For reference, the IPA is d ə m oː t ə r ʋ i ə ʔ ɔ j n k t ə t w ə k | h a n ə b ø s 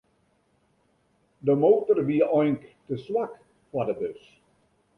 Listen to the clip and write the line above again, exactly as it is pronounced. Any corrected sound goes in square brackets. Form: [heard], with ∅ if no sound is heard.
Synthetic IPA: d ə m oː t ə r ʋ i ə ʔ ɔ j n k t ə [s] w [a] k | [f] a [d] ə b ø s